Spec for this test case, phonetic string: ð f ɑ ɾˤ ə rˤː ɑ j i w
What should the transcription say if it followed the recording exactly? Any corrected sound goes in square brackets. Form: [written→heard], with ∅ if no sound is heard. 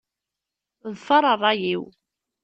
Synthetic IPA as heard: ð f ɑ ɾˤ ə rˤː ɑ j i w